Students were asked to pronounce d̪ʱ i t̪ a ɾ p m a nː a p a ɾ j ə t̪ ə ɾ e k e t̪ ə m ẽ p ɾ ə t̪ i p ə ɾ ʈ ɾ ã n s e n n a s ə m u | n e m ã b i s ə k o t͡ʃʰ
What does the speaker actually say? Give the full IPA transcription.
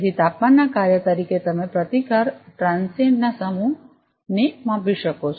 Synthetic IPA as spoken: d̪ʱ i t̪ a p m a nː a k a ɾ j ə t̪ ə ɾ i k e t̪ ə m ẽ p ɾ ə t̪ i k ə ɾ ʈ ɾ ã n s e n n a s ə m u | n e m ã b i ʃ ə k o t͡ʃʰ